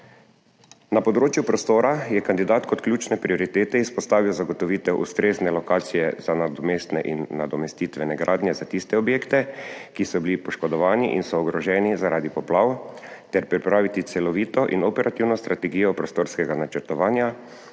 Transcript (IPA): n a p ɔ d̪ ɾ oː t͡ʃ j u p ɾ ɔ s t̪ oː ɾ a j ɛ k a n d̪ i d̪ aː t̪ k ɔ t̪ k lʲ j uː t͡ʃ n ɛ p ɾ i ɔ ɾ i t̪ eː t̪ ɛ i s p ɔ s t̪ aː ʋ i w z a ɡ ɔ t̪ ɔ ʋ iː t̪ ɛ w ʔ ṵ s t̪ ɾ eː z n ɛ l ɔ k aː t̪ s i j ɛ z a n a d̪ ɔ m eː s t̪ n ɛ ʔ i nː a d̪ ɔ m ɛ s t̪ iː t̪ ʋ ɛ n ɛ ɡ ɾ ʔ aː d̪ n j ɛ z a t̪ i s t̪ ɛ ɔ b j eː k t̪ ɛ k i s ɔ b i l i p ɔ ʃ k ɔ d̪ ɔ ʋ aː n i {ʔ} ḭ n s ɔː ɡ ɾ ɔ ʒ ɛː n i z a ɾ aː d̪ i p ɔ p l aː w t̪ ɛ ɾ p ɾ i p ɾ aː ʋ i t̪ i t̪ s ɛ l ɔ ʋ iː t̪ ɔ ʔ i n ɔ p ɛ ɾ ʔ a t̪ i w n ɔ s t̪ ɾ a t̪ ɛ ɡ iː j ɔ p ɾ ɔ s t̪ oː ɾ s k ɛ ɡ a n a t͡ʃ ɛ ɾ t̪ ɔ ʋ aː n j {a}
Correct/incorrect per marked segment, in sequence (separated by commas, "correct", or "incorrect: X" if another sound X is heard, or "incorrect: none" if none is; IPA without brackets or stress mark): correct, correct